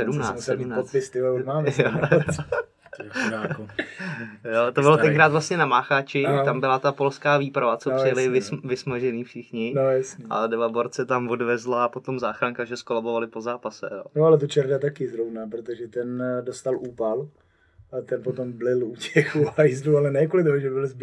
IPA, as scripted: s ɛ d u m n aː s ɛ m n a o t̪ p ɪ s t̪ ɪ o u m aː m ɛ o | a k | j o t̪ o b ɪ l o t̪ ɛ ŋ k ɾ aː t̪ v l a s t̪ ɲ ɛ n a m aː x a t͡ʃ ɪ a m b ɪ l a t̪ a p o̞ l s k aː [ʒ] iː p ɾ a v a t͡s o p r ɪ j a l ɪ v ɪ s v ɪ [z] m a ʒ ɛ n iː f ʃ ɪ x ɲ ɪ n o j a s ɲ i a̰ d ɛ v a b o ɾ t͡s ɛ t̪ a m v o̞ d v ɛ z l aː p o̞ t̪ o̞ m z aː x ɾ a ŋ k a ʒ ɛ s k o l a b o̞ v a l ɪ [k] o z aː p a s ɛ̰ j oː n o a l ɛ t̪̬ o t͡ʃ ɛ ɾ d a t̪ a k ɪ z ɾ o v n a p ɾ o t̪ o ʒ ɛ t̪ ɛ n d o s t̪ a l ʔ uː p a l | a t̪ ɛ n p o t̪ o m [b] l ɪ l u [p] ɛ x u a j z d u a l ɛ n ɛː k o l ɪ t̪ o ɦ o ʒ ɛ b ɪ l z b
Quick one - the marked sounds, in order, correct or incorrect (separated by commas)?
incorrect, incorrect, incorrect, correct, incorrect